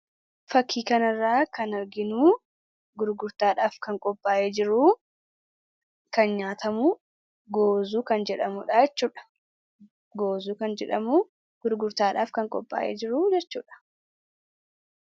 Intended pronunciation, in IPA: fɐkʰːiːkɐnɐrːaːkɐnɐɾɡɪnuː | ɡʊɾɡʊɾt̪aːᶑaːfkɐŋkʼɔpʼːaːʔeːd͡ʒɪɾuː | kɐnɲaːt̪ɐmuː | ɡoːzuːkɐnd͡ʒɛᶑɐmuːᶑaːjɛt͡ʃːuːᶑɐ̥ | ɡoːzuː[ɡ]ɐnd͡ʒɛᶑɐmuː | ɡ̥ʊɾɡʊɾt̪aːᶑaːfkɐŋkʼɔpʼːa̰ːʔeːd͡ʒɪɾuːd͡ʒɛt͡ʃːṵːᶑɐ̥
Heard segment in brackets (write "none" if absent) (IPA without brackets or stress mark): k